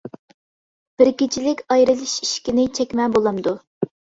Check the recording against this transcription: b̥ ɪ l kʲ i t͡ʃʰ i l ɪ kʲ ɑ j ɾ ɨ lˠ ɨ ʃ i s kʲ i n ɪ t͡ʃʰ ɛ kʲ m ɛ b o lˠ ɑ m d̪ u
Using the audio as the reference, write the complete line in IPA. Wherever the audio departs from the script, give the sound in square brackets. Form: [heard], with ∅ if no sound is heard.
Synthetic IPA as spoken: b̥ ɪ [ɾ] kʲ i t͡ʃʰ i l ɪ kʲ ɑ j ɾ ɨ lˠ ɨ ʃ i [ʃ] kʲ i n ɪ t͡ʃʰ ɛ kʲ m ɛ b o lˠ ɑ m d̪ u